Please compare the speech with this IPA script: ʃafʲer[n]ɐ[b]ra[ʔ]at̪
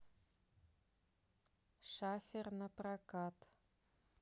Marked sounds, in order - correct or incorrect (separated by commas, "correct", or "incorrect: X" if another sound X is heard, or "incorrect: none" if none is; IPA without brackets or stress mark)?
correct, incorrect: p, incorrect: k